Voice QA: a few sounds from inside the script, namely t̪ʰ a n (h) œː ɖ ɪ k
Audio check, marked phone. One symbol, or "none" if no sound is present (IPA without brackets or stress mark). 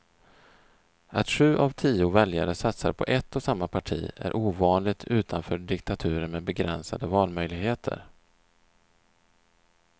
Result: f